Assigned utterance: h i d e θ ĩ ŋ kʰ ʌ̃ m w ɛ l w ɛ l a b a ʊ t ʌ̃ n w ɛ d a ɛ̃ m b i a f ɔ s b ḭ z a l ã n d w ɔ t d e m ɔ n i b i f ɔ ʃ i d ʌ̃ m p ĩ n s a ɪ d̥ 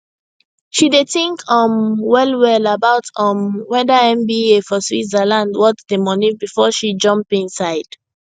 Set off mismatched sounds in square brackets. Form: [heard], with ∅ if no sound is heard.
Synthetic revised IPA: [ʃ] i d e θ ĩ ŋ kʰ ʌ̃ m w ɛ l w ɛ l a b a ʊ t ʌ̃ [m] w ɛ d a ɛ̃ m b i [e] f ɔ s [w] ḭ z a l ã n d w ɔ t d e m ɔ n i b i f ɔ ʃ i [d͡ʒ] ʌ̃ m p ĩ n s a ɪ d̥